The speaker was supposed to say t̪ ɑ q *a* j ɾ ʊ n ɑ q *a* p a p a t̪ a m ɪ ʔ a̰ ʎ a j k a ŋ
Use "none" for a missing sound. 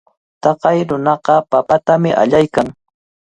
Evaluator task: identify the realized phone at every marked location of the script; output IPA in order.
ɑ, ɑ

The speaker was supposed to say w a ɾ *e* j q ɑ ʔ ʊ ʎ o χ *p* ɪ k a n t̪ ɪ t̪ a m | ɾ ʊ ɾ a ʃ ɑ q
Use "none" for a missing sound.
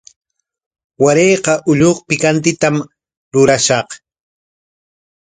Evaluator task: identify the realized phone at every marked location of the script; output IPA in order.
e, p

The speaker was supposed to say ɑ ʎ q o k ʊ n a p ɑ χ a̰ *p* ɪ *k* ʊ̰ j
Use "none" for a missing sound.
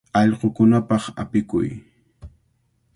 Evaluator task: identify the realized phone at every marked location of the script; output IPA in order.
p, k

